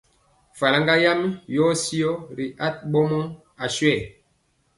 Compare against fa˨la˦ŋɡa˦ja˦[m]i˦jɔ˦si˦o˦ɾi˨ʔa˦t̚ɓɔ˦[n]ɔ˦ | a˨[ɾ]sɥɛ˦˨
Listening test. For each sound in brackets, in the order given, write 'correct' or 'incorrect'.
correct, incorrect: m, incorrect: none

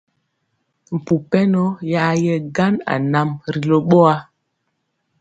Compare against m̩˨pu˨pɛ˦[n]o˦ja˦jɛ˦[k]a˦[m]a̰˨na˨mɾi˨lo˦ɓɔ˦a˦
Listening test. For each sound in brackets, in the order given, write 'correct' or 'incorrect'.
correct, incorrect: ɡ, incorrect: n

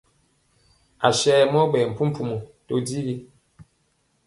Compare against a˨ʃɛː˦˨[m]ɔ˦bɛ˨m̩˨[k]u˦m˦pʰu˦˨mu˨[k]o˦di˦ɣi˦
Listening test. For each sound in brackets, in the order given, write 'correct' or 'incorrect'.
correct, incorrect: p, incorrect: t

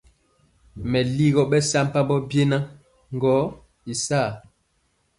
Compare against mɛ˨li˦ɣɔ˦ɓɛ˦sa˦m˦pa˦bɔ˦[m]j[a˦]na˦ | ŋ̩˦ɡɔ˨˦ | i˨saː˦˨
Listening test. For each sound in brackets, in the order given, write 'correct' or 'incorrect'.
incorrect: b, incorrect: e˦

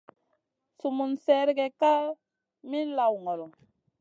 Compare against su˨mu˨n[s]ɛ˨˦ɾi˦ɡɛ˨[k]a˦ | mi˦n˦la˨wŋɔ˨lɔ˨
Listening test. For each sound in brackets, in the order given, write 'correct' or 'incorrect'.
correct, correct

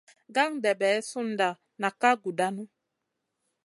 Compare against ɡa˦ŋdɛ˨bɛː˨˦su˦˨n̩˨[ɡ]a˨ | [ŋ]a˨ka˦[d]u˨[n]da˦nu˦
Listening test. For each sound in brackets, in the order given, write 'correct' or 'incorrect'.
incorrect: d, incorrect: n, incorrect: ɡ, incorrect: none

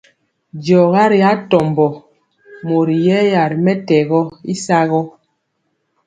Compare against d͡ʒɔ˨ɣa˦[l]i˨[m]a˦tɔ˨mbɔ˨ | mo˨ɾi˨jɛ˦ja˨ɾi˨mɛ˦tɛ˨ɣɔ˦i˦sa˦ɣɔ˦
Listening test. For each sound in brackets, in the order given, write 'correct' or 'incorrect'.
incorrect: ɾ, incorrect: none

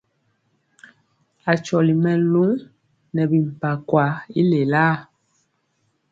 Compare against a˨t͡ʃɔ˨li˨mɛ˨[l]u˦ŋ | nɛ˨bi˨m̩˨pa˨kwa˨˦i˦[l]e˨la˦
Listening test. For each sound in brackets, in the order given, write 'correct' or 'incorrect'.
correct, correct

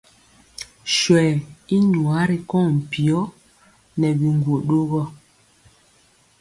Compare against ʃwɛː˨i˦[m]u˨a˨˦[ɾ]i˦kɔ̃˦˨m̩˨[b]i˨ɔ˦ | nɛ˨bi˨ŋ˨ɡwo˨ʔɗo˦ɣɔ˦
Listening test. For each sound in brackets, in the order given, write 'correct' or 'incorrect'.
incorrect: ɲ, correct, incorrect: p

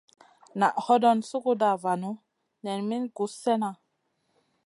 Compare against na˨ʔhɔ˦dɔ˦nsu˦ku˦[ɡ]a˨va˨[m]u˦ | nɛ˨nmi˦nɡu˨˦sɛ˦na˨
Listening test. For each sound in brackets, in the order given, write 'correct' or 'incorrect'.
incorrect: d, incorrect: n

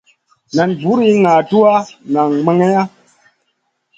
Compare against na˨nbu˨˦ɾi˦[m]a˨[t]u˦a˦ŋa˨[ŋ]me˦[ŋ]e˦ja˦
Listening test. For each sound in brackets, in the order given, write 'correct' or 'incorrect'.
incorrect: ŋ, correct, correct, correct

